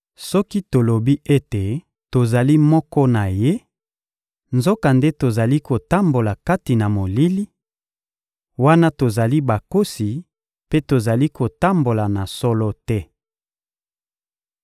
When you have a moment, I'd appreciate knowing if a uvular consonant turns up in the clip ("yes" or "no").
no